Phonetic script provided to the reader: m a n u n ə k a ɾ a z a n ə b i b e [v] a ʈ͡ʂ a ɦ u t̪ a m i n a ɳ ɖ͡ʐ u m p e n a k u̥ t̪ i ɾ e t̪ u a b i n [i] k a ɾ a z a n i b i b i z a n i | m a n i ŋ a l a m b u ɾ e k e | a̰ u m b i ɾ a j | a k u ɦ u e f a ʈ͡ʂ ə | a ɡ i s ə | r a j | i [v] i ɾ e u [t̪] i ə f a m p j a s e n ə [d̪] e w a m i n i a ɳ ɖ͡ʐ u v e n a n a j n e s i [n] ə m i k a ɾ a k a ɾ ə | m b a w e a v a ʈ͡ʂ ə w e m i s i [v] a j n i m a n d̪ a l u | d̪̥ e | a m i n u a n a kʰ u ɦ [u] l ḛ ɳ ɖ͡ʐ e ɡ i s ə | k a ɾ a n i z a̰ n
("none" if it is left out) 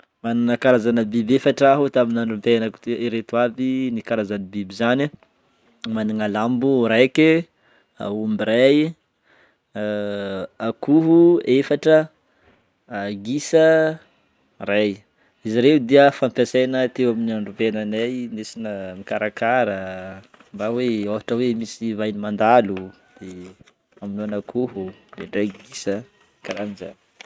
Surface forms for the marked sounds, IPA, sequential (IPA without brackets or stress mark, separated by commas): f, i, z, d̪, t̪, n, v, u